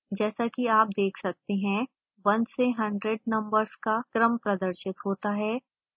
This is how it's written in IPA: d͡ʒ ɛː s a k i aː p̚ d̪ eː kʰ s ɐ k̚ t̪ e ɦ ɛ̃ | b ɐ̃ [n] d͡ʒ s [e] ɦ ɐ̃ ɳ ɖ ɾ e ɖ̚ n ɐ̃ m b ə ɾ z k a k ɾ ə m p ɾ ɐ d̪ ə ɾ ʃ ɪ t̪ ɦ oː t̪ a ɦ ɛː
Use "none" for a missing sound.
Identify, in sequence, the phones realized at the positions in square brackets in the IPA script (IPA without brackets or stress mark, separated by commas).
n, e